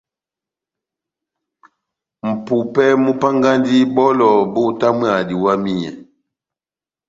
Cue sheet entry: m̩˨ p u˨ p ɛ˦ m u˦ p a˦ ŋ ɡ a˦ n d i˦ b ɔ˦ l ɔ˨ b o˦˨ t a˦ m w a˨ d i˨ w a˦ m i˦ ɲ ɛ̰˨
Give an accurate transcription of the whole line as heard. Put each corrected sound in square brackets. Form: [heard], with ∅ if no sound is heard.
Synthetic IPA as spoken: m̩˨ p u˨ p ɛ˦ m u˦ p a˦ ŋ ɡ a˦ n d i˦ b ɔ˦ l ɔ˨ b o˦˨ t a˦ m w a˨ d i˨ w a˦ m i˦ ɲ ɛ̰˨